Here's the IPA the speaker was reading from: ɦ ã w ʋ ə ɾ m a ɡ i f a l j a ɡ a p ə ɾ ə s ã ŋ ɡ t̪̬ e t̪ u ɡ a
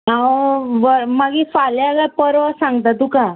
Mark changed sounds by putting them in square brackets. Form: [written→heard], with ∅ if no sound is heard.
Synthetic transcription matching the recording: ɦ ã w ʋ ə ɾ m a ɡ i f a l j a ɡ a p ə ɾ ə s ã ŋ ɡ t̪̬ [e→a] t̪ u [ɡ→k] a

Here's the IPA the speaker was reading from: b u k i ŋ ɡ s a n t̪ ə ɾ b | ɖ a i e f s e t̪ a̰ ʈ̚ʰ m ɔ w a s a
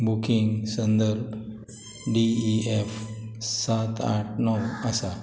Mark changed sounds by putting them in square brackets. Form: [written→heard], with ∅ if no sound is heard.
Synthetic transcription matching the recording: b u k i ŋ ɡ s [a→ə] n [t̪→d̪] ə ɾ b | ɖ [a→i] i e f s [e→a] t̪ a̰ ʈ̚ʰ [m→n] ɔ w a s a

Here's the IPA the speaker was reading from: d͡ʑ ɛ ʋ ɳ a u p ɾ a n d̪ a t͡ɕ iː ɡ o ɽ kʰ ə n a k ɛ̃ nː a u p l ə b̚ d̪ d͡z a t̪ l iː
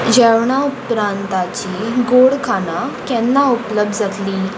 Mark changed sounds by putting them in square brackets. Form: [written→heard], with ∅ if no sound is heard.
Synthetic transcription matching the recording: d͡ʑ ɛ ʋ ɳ a u p ɾ a n [d̪→t̪] a t͡ɕ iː ɡ o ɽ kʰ [ə→a] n a k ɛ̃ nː a u p l ə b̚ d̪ d͡z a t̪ l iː

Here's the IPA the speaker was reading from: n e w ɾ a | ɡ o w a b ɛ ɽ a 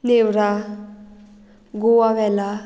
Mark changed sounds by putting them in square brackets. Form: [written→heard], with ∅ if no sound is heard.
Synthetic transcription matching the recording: n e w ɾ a | ɡ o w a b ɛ [ɽ→l] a

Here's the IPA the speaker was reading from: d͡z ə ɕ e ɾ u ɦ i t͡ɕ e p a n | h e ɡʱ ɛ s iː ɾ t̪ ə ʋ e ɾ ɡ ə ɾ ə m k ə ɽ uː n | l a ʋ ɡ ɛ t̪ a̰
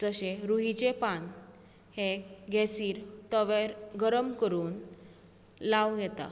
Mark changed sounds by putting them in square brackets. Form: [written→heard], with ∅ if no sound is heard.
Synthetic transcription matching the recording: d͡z ə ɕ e ɾ u ɦ i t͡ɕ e p a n | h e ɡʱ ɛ s iː ɾ t̪ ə ʋ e ɾ ɡ ə ɾ ə m k ə [ɽ→ɾ] uː n | l a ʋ ɡ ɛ t̪ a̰

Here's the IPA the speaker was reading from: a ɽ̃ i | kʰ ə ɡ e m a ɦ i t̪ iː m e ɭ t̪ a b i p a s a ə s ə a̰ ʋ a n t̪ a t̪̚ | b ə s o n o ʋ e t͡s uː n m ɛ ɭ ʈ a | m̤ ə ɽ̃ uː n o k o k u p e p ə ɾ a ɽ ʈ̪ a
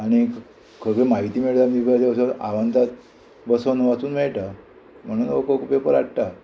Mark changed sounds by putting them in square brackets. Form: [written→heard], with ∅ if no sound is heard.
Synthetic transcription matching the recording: a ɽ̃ i | kʰ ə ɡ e m a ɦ i t̪ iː m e ɭ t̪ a [b→m] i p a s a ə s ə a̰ ʋ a n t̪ a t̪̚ | b ə s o n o ʋ [e→a] t͡s uː n m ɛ ɭ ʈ a | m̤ ə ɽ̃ uː n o k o k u p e p ə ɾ a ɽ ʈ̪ a

